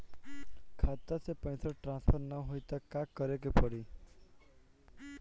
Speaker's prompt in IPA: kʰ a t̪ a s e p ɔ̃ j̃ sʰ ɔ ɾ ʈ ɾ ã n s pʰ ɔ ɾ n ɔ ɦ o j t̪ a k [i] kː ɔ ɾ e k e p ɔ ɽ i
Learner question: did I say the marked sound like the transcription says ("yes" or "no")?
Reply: no